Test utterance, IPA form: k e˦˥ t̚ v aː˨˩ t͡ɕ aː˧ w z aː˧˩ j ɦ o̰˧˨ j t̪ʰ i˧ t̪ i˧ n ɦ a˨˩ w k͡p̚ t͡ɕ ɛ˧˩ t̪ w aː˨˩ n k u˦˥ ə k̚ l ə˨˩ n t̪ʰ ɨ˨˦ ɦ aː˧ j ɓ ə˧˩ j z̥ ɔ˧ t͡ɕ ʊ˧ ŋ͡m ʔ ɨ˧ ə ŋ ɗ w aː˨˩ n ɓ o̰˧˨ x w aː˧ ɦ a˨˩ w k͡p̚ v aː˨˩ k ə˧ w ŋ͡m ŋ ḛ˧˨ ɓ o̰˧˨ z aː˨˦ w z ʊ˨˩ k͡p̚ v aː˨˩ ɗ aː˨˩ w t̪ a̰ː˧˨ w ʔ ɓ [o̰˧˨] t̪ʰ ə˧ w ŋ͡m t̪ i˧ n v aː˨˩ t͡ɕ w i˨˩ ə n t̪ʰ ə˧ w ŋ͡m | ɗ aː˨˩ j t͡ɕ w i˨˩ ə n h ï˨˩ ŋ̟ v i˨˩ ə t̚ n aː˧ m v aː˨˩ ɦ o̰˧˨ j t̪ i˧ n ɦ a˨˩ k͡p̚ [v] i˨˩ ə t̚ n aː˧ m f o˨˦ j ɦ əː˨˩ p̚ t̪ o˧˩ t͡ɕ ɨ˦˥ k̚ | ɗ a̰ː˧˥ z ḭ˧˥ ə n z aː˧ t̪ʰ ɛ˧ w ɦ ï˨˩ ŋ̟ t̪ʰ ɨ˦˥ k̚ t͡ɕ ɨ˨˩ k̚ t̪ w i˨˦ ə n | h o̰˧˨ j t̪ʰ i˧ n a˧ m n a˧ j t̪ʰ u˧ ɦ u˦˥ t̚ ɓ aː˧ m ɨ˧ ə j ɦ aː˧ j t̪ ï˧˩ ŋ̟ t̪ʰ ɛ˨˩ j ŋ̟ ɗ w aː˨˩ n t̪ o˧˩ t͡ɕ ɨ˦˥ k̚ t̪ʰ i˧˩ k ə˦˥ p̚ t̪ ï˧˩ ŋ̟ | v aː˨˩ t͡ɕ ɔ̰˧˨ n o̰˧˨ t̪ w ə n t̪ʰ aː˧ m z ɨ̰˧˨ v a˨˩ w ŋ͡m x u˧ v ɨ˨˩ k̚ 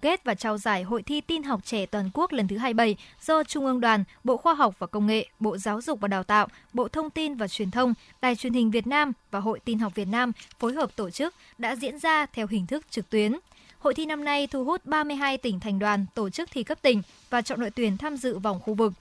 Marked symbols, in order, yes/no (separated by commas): yes, yes